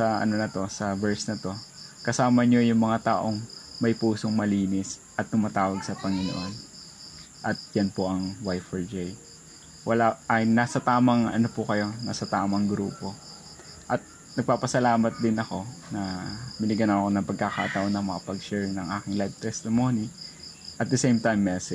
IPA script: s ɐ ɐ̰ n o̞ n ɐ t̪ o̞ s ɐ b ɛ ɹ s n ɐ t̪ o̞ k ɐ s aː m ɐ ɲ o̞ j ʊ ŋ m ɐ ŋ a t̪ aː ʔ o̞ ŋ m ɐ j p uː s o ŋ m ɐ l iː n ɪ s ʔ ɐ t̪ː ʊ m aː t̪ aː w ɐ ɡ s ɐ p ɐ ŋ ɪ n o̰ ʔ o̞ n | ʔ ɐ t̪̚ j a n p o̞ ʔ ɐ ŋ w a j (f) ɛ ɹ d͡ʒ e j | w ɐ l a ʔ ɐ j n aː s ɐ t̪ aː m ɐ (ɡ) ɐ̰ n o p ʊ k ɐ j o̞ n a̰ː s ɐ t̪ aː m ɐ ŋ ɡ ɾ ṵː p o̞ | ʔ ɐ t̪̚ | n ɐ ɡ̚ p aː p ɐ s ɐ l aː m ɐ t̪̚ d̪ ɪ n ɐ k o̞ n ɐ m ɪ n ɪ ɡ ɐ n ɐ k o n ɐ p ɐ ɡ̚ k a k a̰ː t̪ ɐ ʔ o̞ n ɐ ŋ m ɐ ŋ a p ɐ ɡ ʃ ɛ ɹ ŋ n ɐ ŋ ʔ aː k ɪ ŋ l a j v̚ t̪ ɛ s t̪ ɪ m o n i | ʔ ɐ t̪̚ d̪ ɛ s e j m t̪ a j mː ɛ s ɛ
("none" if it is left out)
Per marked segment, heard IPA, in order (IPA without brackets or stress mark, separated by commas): f, ŋ